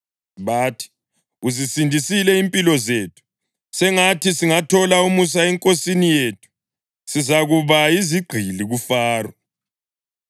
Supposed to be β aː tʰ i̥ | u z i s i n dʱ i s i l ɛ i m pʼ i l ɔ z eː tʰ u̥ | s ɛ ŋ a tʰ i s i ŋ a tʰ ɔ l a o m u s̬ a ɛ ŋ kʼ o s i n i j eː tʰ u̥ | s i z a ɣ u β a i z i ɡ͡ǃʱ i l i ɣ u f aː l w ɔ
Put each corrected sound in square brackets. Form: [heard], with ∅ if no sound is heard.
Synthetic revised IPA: β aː tʰ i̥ | u z i s i n dʱ i s i l ɛ i m pʼ i l ɔ z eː tʰ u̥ | s ɛ ŋ a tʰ i s i ŋ a tʰ ɔ l a [u] m u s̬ a ɛ ŋ kʼ o s i n i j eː tʰ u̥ | s i z a ɣ u β a i z i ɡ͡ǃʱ i l i ɣ u f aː [r] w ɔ